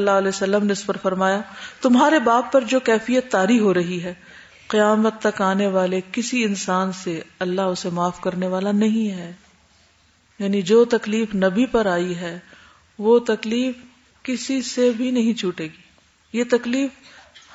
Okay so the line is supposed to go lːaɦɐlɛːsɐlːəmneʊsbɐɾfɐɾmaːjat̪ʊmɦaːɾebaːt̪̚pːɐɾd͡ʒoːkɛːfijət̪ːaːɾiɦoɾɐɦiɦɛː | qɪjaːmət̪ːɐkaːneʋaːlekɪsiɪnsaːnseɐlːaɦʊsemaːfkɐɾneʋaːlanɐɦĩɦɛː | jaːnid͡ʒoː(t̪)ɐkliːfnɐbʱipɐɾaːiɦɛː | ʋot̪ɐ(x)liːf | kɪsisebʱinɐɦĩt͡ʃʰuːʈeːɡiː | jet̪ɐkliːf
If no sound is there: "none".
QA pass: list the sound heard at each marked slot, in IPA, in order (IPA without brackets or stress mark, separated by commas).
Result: t̪, k